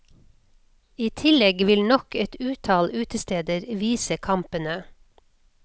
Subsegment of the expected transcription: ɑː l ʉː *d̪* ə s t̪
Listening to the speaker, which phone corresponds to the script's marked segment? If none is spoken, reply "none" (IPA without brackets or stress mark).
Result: t̪